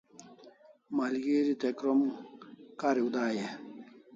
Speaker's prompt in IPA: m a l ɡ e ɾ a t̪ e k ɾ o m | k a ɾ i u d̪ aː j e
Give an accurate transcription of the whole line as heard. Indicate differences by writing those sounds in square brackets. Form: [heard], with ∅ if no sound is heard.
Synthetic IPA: m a l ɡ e ɾ [i] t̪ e k ɾ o m | k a ɾ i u d̪ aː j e